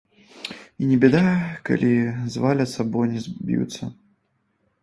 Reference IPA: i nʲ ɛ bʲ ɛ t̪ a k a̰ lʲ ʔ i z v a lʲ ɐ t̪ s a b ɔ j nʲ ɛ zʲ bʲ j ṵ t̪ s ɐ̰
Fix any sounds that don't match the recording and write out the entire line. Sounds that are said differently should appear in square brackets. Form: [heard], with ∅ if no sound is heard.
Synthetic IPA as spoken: i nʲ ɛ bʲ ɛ [d̪] a k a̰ lʲ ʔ i z v a lʲ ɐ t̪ s a b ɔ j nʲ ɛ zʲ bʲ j ṵ t̪ s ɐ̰